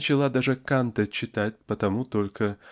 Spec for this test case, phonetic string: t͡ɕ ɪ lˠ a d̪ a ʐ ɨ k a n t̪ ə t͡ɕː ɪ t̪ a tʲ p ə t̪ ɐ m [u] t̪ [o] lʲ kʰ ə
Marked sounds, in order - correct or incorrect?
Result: correct, correct

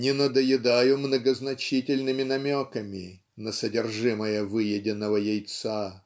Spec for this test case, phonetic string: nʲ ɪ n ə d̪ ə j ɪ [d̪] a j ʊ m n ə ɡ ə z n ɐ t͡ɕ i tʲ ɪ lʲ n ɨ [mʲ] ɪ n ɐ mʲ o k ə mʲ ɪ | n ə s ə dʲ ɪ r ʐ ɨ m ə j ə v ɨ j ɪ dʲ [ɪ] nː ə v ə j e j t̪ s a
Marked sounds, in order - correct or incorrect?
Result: correct, correct, correct

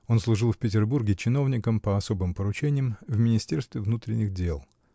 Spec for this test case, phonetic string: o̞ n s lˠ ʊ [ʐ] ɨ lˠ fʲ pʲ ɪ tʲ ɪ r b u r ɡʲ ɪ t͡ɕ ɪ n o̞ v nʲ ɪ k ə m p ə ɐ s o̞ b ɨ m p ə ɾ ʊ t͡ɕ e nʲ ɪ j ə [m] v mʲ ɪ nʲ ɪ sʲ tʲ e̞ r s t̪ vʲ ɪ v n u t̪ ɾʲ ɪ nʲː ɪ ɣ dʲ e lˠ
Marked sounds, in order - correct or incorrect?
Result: correct, correct

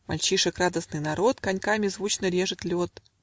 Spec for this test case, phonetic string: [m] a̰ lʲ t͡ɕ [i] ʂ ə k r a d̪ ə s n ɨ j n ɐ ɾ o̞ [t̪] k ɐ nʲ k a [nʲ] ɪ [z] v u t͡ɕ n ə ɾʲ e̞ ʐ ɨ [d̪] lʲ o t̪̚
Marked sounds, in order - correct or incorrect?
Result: correct, correct, correct, incorrect: mʲ, correct, incorrect: t̪

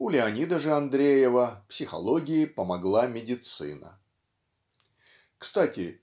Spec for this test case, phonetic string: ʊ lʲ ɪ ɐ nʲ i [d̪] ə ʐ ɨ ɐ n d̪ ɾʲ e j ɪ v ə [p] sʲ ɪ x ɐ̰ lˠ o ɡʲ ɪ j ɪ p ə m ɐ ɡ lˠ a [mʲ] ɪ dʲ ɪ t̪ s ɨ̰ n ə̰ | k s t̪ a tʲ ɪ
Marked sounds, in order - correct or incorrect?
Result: correct, correct, correct

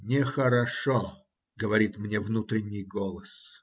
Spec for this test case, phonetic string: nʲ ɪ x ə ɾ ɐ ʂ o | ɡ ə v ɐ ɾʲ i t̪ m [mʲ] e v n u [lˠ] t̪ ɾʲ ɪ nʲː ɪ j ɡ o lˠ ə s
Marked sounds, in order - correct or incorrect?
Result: incorrect: nʲ, incorrect: none

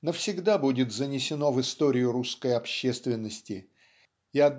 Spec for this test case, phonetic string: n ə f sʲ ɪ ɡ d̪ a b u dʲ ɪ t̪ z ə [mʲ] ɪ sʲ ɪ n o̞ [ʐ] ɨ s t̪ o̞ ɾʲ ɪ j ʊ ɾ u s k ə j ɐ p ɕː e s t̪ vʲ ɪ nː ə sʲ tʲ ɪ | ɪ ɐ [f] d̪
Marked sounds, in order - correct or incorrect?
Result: incorrect: nʲ, incorrect: v, incorrect: none

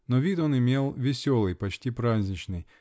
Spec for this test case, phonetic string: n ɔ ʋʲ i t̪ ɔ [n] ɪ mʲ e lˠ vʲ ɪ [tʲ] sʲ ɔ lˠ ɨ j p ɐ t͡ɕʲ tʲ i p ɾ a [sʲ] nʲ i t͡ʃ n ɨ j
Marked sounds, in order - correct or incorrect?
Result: correct, incorrect: none, incorrect: zʲ

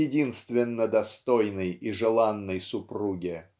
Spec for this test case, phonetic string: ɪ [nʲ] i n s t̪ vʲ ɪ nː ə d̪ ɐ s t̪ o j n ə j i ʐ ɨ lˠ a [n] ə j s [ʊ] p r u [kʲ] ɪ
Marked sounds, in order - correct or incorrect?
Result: incorrect: dʲ, incorrect: nː, correct, incorrect: ɡʲ

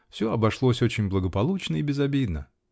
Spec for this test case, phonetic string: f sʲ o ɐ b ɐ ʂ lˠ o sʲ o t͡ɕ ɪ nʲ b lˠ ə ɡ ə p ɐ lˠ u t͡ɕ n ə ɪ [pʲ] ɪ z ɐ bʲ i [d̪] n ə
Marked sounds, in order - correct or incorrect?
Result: incorrect: bʲ, correct

